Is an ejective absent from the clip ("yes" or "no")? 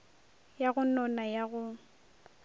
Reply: yes